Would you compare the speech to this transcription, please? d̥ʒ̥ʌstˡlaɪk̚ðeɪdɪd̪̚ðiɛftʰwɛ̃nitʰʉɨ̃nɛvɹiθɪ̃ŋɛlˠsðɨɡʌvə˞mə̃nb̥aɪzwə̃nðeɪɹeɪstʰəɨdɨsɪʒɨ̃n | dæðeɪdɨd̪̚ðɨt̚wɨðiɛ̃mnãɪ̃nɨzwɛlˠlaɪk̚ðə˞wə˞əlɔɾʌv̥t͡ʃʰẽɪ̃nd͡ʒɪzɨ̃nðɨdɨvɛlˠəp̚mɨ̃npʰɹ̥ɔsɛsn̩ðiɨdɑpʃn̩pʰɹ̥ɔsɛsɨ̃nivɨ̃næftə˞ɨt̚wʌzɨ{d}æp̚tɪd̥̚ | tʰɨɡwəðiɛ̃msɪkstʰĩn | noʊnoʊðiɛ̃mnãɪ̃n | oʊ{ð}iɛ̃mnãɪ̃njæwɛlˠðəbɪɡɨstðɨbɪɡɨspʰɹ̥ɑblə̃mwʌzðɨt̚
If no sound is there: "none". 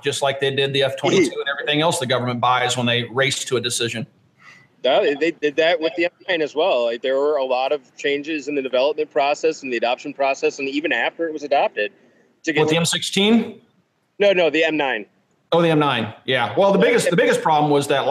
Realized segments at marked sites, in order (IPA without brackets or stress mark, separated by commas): d, ð